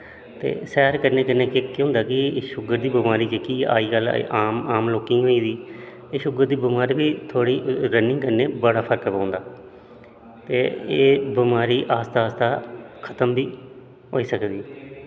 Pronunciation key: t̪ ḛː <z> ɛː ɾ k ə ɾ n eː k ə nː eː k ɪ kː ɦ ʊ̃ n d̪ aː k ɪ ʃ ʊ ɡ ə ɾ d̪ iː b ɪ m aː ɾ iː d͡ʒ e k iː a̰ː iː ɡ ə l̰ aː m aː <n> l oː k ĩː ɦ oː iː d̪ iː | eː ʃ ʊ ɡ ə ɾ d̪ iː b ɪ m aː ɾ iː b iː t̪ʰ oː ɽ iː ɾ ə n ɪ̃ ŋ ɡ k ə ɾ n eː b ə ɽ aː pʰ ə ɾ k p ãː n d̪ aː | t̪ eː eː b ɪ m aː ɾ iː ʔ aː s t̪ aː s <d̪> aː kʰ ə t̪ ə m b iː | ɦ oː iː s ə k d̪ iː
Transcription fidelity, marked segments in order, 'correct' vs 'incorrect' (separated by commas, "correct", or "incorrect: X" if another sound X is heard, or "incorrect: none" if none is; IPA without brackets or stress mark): incorrect: s, incorrect: m, incorrect: t̪